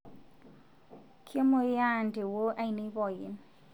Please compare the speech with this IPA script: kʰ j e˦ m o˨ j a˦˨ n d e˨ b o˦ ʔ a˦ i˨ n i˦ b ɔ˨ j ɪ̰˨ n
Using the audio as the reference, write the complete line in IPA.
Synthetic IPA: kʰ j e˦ m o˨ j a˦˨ n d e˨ w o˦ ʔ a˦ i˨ n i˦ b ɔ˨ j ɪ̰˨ n